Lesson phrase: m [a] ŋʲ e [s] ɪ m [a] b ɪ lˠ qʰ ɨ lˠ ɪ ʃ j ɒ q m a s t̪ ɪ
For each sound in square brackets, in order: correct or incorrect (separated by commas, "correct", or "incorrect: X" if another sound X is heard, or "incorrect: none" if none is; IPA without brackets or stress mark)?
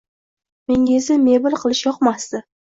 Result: incorrect: e, incorrect: z, incorrect: e